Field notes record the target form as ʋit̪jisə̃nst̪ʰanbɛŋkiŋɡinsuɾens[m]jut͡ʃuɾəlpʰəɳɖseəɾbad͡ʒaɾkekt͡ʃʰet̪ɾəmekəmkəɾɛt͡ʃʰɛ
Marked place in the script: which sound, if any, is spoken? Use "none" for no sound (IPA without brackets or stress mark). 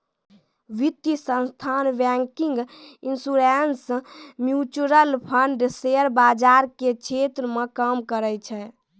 m